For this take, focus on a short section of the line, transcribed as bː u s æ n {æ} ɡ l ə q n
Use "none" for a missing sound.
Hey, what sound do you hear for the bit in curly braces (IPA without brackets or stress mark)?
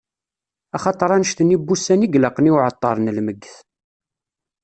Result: i